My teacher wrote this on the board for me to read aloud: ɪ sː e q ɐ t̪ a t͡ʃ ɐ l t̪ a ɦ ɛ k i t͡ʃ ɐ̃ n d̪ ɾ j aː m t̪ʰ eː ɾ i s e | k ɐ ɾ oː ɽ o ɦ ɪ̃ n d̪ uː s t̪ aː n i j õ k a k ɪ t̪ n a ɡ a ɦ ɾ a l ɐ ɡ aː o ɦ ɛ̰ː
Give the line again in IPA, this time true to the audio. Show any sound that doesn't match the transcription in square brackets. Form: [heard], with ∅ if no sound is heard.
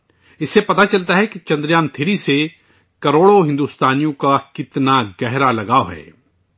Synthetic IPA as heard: ɪ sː e [p] ɐ t̪ a t͡ʃ ɐ l t̪ a ɦ ɛ k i t͡ʃ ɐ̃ n d̪ ɾ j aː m t̪ʰ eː ɾ i s e | k ɐ ɾ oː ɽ o ɦ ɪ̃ n d̪ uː s t̪ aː n i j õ k a k ɪ t̪ n a ɡ [ɛ] ɦ ɾ a l ɐ ɡ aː o ɦ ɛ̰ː